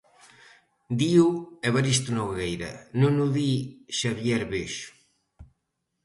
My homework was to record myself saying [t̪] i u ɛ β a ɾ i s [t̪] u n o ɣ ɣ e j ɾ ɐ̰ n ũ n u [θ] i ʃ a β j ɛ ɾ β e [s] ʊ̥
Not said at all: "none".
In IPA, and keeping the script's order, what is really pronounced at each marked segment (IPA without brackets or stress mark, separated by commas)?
d̪, t̪, ð, ʃ